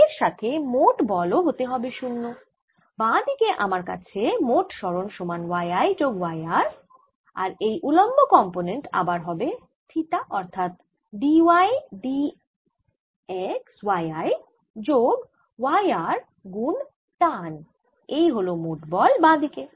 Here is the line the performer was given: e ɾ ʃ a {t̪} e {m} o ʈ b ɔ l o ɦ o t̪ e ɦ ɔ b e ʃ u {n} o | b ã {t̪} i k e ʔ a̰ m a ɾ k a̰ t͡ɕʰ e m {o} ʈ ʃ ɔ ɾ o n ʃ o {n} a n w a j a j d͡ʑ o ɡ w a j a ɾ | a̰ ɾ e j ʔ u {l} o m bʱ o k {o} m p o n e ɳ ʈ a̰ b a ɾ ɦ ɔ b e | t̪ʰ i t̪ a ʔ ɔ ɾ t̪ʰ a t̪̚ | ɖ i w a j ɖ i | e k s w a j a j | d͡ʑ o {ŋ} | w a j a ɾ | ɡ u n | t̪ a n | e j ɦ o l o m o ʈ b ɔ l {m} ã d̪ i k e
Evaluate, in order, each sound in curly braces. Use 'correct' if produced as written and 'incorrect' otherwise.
incorrect, correct, incorrect, incorrect, correct, incorrect, correct, incorrect, incorrect, incorrect

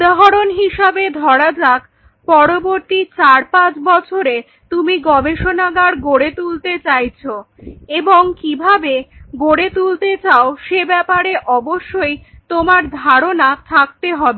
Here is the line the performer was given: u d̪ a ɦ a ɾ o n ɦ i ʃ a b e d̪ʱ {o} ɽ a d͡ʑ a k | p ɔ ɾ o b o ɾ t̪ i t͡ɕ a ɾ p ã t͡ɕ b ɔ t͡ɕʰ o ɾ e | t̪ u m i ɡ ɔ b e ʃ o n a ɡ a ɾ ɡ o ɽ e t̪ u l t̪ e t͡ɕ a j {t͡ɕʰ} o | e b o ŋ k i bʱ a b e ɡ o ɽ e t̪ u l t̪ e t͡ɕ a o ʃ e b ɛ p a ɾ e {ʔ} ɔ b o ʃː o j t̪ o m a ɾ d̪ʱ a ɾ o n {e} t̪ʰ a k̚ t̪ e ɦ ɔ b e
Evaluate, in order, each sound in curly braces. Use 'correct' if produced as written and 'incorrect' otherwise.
incorrect, correct, correct, incorrect

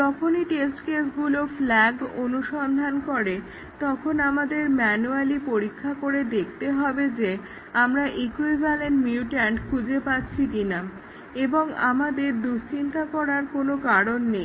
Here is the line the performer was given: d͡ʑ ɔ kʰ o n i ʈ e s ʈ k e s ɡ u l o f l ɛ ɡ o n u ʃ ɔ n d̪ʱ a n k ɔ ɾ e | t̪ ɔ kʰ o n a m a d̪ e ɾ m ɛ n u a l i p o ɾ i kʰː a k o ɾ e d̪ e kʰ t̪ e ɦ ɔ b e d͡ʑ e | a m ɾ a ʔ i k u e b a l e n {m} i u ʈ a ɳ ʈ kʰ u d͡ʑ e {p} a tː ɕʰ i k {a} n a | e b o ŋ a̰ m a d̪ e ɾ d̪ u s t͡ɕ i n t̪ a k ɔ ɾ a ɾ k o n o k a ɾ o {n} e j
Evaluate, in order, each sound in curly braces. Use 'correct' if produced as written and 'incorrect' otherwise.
correct, correct, incorrect, incorrect

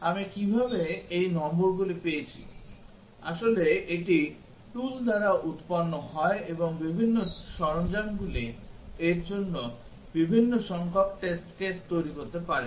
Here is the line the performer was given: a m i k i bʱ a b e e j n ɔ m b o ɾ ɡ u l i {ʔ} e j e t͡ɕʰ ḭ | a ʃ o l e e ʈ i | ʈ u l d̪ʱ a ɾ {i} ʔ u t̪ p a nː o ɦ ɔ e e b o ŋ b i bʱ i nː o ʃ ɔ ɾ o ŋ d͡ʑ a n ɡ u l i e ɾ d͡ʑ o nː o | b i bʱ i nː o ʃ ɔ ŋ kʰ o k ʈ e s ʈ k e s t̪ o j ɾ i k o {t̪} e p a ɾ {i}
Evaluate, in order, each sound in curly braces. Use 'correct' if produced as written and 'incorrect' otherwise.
incorrect, incorrect, correct, incorrect

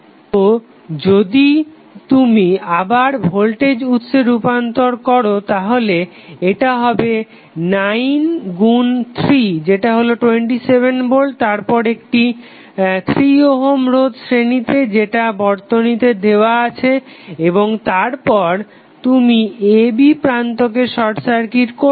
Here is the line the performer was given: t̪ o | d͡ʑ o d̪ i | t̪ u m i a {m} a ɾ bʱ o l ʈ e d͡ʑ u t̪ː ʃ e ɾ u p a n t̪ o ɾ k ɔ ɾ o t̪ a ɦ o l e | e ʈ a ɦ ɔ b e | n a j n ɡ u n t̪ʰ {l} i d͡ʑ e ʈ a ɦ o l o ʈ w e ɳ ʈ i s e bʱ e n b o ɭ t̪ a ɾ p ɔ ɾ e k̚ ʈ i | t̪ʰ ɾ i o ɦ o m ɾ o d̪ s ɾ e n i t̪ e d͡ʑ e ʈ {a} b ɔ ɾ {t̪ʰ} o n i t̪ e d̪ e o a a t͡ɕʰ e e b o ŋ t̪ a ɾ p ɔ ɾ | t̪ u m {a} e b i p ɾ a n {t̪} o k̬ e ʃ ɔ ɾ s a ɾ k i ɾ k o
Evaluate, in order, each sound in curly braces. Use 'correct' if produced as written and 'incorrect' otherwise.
incorrect, incorrect, correct, incorrect, incorrect, correct

